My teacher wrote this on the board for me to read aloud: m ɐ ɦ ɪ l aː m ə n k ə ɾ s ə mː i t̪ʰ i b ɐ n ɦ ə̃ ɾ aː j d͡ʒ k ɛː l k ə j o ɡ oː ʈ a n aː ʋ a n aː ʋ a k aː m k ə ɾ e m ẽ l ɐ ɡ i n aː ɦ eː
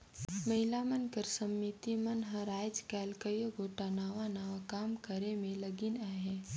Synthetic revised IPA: m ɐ ɦ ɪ l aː m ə n k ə ɾ s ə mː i t̪ i m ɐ n ɦ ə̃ ɾ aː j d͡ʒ k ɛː l k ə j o ɡ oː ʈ a n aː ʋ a n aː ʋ a k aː m k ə ɾ e m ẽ l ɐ ɡ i n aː ɦ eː